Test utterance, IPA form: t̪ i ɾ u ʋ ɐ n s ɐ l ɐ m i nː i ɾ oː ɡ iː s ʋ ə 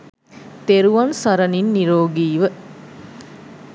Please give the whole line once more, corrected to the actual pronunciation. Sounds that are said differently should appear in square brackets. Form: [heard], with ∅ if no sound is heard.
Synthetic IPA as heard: t̪ [e] ɾ u ʋ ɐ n s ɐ [ɾ] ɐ [n] i nː i ɾ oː ɡ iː [∅] ʋ ə